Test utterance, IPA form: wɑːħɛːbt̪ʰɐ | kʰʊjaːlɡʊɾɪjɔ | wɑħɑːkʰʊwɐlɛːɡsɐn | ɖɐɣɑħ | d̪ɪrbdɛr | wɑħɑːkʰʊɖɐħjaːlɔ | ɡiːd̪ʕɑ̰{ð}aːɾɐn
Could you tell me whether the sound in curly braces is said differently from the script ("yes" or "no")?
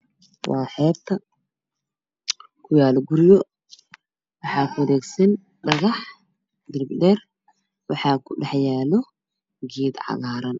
yes